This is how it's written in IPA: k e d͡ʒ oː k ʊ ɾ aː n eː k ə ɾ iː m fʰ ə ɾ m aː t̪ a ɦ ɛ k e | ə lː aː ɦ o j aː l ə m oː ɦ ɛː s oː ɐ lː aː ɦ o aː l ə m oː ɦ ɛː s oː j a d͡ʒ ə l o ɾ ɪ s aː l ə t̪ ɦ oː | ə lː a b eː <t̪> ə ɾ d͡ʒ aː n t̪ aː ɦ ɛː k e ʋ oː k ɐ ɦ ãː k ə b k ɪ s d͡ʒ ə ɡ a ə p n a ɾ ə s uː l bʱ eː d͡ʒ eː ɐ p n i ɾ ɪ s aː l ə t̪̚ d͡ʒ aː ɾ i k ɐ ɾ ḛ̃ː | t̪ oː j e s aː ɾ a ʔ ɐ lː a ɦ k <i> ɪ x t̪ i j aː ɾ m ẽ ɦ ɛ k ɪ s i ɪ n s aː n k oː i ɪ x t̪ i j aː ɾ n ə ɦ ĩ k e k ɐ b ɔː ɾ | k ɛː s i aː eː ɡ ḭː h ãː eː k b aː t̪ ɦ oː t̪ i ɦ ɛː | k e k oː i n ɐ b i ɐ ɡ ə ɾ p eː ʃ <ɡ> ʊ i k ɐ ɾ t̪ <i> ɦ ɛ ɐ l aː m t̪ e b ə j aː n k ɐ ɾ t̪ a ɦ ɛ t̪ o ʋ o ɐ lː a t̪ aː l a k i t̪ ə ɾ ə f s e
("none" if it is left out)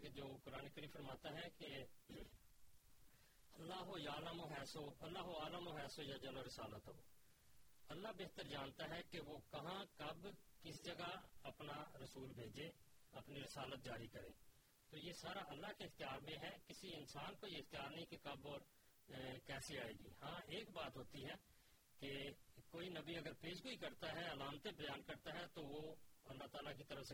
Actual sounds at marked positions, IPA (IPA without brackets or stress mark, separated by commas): t̪, e, ɡ, a